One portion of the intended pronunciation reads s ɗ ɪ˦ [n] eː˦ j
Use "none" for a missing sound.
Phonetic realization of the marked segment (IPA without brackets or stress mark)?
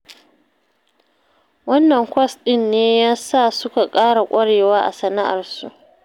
nː